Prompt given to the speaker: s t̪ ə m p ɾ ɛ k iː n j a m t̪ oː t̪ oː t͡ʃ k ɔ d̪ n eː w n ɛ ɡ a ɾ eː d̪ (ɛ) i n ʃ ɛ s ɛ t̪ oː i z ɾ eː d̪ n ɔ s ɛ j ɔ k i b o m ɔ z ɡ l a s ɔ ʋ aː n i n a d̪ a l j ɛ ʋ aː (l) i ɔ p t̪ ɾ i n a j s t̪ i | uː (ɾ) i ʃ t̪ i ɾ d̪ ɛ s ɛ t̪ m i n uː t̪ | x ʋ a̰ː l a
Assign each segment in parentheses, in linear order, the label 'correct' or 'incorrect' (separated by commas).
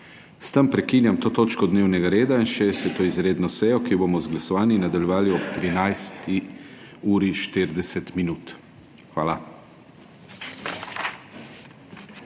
incorrect, correct, correct